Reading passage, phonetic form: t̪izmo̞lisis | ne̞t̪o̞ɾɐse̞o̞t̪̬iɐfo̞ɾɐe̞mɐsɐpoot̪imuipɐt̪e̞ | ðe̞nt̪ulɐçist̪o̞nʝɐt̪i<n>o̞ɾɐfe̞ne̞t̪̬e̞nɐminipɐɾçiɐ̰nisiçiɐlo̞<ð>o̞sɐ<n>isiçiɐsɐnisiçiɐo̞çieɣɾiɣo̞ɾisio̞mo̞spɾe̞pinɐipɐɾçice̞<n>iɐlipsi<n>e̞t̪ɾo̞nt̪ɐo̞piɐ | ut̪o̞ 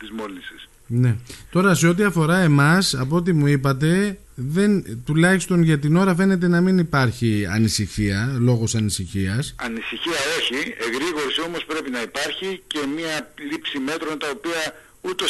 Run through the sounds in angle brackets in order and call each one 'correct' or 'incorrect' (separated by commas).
correct, incorrect, correct, incorrect, incorrect